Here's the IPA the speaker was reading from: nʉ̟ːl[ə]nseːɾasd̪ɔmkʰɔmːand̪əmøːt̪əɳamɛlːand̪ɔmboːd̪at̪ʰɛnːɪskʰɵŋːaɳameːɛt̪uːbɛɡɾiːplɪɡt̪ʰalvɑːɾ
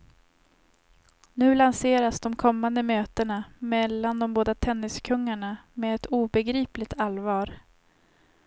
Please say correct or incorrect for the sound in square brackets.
incorrect